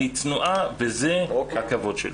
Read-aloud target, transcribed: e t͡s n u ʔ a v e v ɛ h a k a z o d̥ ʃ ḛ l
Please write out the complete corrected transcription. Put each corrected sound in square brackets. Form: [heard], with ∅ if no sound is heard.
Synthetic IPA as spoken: [i] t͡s n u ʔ a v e [z] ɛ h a k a [v] o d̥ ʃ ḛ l